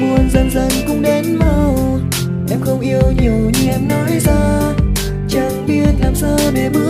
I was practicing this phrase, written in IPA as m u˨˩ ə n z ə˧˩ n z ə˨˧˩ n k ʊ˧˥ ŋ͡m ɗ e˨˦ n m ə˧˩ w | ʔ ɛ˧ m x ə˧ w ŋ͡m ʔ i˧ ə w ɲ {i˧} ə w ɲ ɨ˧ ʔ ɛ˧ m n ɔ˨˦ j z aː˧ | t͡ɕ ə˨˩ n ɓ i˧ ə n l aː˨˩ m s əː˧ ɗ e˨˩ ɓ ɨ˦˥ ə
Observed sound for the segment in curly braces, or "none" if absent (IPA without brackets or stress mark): i˨˩